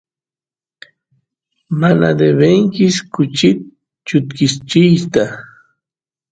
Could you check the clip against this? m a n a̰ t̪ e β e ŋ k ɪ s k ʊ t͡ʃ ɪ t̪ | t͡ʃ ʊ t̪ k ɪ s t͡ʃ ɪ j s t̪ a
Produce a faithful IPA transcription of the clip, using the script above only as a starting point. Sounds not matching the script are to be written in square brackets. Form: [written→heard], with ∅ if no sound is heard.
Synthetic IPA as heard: m a n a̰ [t̪→d̪] e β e ŋ k ɪ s k ʊ t͡ʃ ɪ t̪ | t͡ʃ ʊ t̪ k ɪ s t͡ʃ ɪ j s t̪ a